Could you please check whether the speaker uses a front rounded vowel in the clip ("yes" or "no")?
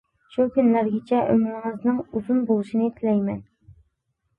yes